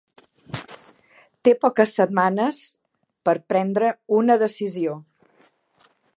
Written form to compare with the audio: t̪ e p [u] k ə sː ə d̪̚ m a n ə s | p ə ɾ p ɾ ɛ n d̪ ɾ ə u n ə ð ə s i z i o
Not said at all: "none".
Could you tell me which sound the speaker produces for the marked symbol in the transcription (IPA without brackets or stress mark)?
ɔ